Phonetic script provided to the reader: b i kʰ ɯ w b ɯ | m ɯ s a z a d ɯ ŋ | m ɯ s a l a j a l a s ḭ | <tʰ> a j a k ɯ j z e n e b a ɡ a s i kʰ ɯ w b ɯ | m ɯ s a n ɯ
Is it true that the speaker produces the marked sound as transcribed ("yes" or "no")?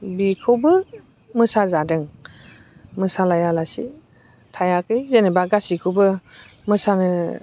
yes